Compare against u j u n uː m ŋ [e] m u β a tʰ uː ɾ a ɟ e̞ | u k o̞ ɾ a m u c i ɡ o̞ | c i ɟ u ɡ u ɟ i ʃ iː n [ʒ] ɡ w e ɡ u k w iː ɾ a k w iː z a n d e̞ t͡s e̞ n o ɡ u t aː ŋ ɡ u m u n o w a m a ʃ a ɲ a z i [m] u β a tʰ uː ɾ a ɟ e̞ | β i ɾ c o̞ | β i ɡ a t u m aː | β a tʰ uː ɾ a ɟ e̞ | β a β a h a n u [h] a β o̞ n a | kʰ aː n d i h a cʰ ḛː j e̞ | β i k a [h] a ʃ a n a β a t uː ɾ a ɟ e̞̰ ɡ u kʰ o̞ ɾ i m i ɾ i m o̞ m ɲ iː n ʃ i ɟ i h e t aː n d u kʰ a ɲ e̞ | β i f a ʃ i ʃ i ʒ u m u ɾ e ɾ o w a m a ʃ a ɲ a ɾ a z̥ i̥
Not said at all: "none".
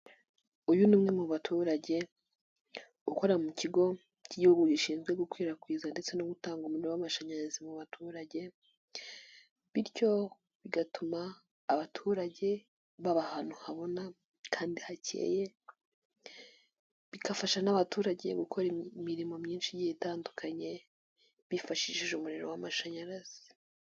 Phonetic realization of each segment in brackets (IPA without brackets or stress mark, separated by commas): e, z, m, h, f